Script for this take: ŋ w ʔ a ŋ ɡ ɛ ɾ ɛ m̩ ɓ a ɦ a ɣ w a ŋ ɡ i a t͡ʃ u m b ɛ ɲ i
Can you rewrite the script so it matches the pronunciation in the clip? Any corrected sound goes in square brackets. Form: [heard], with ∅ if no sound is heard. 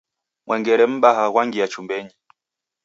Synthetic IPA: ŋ w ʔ [ɛ] ŋ ɡ ɛ ɾ ɛ m̩ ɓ a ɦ a ɣ w a ŋ ɡ i a t͡ʃ u m b ɛ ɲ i